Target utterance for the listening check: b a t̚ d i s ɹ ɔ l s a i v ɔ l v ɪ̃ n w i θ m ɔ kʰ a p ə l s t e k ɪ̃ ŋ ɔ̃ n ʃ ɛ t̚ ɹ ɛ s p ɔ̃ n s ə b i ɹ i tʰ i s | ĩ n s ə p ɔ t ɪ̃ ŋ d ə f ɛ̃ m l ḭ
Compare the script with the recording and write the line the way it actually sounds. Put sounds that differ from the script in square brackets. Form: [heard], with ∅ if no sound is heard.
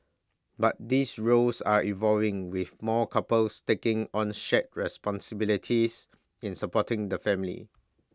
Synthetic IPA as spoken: b a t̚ d i s ɹ [o] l s a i v ɔ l v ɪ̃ [ŋ] w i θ m ɔ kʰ a p ə l s t e k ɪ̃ ŋ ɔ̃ n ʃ ɛ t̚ ɹ ɛ s p ɔ̃ n s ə b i [l] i tʰ i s | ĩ n s ə p ɔ t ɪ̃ ŋ d ə f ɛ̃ m l ḭ

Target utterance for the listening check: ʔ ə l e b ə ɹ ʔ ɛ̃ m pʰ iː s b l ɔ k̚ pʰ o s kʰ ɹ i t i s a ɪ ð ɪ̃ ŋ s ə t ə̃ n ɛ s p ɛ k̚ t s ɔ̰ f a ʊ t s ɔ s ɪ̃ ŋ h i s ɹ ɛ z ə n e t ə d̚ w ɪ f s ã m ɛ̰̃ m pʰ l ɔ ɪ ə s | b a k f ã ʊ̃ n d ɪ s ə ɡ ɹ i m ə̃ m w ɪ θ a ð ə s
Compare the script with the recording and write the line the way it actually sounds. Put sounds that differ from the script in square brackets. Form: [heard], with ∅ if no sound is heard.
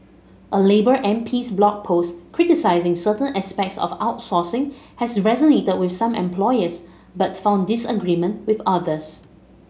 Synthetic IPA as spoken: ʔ ə l e b ə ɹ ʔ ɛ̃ m pʰ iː s b l ɔ k̚ pʰ o s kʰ ɹ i t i s a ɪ [z] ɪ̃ ŋ s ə t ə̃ n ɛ s p ɛ k̚ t s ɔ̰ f a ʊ t s ɔ s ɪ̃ ŋ h [ɛ] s ɹ ɛ z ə n e t ə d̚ w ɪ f s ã m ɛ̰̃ m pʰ l ɔ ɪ ə s | b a [t] f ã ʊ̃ n d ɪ s ə ɡ ɹ i m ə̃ [n] w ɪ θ a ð ə s

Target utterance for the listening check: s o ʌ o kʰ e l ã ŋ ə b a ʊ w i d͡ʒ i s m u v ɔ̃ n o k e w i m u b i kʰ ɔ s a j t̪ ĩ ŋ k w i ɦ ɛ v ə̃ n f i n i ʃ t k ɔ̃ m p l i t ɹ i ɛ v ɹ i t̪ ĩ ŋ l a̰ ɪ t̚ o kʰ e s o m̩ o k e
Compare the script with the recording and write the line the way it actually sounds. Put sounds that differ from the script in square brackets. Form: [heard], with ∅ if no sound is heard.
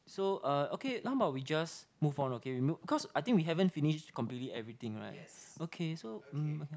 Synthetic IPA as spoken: s o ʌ o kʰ e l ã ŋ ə b a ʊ w i d͡ʒ [a] s m u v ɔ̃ n o k e w i m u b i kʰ ɔ s a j t̪ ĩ ŋ k w i ɦ ɛ v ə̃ n f i n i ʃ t k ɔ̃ m p l i t [l] i ɛ v ɹ i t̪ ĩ ŋ [ɹ] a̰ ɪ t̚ o kʰ e s o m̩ o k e

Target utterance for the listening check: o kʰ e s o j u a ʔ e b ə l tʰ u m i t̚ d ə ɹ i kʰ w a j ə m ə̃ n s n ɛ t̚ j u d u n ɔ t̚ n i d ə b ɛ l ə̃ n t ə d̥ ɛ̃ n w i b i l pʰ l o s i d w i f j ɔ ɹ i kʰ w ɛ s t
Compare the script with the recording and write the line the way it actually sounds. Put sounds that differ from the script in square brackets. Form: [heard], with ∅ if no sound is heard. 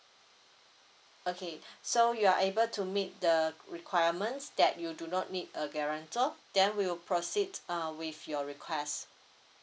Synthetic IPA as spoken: o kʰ e s o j u a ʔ e b ə l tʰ u m i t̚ d ə ɹ i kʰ w a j ə m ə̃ n s [d] ɛ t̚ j u d u n ɔ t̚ n i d ə [ɡ] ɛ [ɹ] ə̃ n t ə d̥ ɛ̃ n w i [w] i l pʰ [ɹ] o s i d w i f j ɔ ɹ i kʰ w ɛ s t

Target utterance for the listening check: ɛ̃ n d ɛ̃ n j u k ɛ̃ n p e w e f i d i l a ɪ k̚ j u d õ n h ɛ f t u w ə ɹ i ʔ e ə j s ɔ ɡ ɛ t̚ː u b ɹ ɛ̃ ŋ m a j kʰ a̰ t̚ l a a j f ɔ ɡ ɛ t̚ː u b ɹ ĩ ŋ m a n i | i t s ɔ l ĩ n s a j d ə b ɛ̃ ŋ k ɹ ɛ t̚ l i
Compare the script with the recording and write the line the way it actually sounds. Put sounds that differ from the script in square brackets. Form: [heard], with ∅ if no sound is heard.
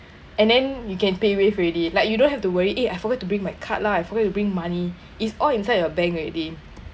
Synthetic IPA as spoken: ɛ̃ n d ɛ̃ n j u k ɛ̃ n p e w e f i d i l a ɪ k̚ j u d õ n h ɛ f t u w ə ɹ i ʔ e [a] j [f] ɔ ɡ ɛ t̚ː u b ɹ [ĩ] ŋ m a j kʰ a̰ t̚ l a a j f ɔ ɡ ɛ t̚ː u b ɹ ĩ ŋ m a n i | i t s ɔ l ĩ n s a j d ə b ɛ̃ ŋ k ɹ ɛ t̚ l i

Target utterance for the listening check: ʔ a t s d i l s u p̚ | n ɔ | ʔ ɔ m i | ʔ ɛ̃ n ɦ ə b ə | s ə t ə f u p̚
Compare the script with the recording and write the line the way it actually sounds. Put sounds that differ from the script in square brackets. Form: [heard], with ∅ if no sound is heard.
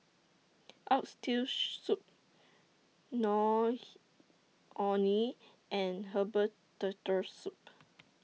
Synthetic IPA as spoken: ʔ a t s [t] i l s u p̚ | n ɔ | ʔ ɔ [n] i | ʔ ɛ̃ n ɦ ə b ə | [t] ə t ə [s] u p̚

